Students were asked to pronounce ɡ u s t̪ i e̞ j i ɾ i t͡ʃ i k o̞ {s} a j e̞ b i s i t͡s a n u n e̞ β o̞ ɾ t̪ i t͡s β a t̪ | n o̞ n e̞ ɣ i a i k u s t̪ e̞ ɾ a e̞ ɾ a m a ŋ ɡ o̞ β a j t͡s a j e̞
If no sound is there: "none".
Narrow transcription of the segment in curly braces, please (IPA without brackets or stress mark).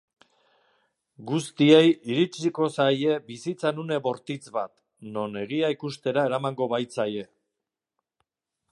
s